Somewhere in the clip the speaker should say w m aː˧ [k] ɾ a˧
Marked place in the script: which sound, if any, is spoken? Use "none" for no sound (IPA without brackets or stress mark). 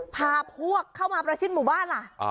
p